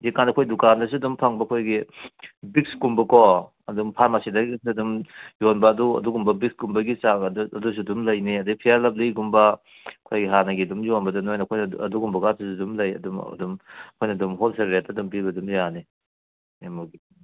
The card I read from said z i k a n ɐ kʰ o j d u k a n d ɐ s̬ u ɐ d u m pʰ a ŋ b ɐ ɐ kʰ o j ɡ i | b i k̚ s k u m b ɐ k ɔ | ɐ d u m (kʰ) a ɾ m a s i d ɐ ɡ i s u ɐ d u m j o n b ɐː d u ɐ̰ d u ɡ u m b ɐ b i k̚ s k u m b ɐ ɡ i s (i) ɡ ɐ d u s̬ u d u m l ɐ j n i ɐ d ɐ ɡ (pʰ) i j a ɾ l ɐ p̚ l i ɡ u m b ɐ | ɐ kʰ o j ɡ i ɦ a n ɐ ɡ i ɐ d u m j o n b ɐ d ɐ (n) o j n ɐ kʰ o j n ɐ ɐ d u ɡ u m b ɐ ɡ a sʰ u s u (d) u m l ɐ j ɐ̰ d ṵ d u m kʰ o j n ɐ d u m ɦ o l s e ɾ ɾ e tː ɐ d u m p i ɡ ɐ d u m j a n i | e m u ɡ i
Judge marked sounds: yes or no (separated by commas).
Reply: no, no, yes, yes, yes